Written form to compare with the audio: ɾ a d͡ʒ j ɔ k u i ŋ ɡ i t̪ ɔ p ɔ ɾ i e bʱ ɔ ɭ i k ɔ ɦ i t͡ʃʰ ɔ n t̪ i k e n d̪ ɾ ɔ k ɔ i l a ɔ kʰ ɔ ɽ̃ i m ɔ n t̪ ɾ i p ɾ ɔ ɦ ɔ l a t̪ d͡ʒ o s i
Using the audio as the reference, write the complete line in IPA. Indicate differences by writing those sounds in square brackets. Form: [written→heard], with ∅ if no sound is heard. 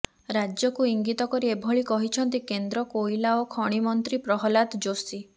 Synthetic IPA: ɾ a d͡ʒ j ɔ k u i ŋ ɡ i t̪ ɔ [p→k] ɔ ɾ i e bʱ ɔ ɭ i k ɔ ɦ i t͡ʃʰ ɔ n t̪ i k e n d̪ ɾ ɔ k [ɔ→o] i l a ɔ kʰ ɔ ɽ̃ i m ɔ n t̪ ɾ i p ɾ ɔ ɦ ɔ l a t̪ d͡ʒ o s i